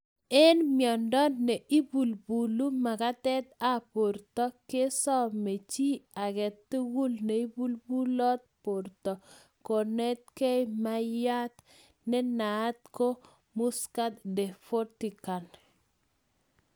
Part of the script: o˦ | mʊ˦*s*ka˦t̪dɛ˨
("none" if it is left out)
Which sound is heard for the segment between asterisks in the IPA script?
s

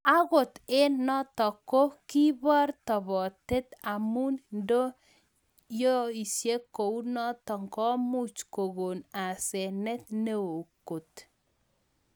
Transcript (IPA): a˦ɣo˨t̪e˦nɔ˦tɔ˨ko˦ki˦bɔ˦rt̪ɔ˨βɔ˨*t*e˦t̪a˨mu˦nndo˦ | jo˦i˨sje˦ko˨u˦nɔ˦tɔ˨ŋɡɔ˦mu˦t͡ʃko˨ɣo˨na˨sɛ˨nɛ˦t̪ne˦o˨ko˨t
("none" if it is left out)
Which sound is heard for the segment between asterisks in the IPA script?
t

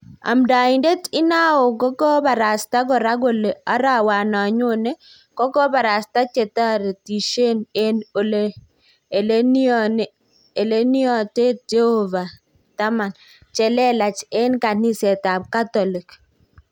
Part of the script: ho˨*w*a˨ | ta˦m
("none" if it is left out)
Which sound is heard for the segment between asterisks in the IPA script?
v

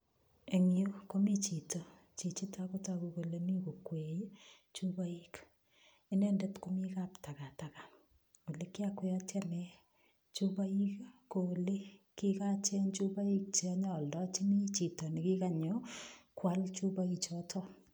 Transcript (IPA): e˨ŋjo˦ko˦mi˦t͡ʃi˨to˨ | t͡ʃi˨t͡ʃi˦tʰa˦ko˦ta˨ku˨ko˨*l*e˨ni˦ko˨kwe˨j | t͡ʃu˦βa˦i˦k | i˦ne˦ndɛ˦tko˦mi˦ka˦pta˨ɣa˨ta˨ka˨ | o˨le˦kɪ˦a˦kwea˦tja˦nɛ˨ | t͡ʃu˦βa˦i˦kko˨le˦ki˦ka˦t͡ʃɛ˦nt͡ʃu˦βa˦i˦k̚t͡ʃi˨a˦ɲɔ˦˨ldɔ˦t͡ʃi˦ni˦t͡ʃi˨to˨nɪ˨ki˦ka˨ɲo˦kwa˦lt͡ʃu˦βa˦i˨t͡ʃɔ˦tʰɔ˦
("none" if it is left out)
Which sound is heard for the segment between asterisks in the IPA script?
l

